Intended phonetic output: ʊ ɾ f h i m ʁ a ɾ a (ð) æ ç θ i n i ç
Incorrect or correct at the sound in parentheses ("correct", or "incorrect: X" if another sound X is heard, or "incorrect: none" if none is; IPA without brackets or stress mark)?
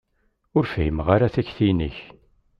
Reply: incorrect: θ